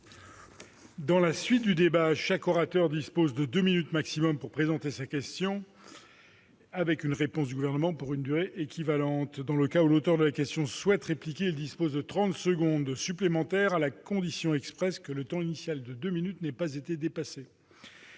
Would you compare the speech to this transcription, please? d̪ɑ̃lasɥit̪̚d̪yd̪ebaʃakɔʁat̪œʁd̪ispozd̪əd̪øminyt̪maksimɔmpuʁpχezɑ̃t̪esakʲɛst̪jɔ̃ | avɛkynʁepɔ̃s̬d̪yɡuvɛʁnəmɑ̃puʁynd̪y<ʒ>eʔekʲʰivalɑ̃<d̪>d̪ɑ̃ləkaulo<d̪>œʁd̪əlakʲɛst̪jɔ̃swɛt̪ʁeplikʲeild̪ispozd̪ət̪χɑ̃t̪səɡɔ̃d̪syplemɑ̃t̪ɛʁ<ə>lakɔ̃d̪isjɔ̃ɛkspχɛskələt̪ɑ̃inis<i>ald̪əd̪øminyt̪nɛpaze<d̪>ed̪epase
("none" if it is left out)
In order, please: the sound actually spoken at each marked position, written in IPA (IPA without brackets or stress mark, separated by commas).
ʁ, t̪, t̪, a, j, t̪